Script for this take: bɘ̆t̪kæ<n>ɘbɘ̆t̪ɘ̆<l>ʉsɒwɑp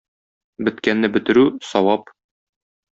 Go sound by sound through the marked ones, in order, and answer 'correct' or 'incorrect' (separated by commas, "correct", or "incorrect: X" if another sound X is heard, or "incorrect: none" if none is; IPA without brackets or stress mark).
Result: incorrect: nː, incorrect: ɾ